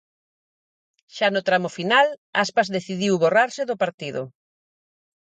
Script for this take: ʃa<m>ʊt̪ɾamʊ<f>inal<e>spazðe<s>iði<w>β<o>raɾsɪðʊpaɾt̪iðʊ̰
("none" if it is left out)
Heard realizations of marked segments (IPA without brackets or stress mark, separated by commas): n, f, a, θ, w, o